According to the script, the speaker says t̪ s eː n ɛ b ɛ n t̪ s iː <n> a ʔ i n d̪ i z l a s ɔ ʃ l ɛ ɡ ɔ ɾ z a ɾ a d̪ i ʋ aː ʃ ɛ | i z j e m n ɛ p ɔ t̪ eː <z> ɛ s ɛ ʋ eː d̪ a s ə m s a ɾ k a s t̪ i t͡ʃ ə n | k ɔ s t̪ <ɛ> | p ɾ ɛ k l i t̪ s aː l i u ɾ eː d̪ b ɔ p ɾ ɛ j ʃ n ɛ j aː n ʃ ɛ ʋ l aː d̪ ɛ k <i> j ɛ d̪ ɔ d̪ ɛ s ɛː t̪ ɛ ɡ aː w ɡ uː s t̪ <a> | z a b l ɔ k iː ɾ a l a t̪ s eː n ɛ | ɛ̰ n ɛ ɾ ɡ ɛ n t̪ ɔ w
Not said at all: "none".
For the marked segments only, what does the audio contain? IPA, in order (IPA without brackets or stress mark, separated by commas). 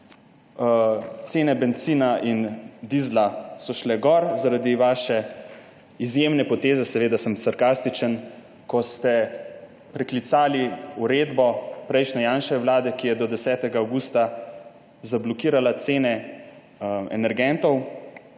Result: n, z, ɛ, i, a